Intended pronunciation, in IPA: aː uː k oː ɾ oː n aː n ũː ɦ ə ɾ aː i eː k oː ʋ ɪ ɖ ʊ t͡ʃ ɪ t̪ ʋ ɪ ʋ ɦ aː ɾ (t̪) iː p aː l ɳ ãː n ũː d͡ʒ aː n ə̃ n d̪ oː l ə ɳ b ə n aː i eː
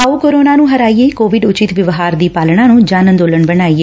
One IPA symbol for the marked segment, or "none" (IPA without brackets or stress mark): d̪